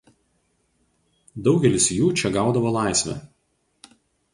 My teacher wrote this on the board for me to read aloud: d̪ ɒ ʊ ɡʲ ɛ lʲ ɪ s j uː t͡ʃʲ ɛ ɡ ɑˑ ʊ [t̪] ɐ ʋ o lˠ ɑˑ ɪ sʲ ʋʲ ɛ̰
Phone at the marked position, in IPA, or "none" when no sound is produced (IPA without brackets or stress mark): d̪